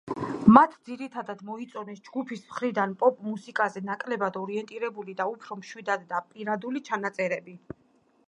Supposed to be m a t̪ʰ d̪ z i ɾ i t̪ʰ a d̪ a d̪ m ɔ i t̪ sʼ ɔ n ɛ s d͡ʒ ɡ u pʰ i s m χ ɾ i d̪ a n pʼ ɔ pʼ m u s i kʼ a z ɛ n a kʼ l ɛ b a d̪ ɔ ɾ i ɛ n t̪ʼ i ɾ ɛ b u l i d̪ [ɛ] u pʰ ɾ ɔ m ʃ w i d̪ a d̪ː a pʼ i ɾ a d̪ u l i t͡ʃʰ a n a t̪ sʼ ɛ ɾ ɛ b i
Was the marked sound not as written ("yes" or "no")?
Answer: yes